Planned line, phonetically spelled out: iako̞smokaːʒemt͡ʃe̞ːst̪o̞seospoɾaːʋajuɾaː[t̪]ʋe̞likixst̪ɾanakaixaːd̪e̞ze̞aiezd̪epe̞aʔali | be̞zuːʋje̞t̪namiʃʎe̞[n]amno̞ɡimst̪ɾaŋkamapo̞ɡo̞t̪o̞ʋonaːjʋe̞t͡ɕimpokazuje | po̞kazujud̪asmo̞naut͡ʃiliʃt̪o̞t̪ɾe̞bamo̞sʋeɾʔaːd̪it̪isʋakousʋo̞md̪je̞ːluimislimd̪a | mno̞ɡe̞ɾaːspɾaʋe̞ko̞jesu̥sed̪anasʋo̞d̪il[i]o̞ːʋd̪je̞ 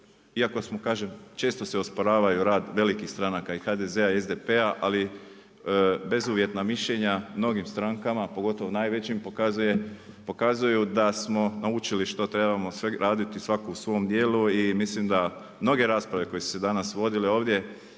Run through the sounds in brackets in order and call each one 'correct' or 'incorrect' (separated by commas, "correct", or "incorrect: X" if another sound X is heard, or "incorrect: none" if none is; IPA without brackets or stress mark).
incorrect: d̪, incorrect: ɲ, incorrect: e